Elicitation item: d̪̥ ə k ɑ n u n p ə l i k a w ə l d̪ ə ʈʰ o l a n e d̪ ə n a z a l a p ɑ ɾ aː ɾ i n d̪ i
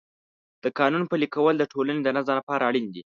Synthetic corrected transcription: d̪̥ ə k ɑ n u n p ə l i k a w ə l d̪ ə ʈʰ o l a n e d̪ ə n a z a l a p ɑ ɾ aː ɽ i n d̪ i